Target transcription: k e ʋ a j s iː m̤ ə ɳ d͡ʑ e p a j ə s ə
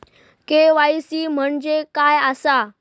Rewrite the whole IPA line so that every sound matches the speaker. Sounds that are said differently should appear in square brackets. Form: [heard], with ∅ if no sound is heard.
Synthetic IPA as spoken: k e ʋ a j s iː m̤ ə ɳ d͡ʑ e [k] a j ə s [a]